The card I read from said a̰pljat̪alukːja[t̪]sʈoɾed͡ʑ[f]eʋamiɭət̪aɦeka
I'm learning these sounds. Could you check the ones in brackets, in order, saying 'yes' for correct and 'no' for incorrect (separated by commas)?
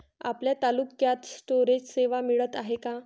yes, no